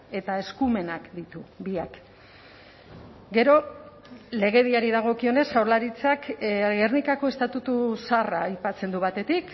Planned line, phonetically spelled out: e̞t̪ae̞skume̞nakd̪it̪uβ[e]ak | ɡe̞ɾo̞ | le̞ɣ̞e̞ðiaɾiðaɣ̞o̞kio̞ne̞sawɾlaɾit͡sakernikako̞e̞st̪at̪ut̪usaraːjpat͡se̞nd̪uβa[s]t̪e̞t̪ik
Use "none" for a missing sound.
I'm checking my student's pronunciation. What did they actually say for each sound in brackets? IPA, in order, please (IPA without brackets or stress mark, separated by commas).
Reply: i, none